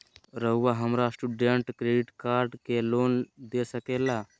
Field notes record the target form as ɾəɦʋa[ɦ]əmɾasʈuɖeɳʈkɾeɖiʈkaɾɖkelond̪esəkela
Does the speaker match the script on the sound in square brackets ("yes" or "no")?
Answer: yes